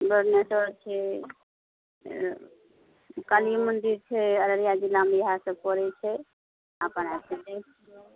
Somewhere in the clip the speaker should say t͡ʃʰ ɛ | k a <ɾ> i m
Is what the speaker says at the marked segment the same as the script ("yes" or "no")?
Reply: no